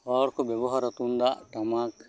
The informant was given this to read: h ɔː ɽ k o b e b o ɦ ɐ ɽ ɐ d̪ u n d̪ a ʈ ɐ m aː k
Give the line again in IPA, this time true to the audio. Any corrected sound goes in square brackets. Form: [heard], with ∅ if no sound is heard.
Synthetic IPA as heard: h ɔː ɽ k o b e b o ɦ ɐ [ɾ] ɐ [t̪] u n d̪ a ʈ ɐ m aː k